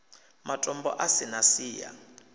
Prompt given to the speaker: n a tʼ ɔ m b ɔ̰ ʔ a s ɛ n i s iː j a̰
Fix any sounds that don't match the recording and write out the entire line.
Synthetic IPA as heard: m a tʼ ɔ m b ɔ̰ ʔ a s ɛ n a s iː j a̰